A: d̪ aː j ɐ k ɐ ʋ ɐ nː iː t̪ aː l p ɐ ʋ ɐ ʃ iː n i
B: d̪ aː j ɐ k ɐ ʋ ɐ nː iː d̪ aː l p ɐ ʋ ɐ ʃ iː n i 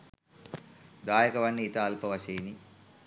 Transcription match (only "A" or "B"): A